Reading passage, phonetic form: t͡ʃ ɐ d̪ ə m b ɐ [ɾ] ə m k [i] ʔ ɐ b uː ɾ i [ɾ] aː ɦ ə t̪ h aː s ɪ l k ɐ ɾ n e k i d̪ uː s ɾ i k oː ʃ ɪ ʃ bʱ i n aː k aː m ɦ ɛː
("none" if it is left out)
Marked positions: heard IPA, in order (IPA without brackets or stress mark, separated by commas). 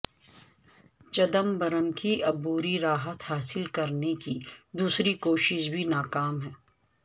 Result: ɾ, i, ɾ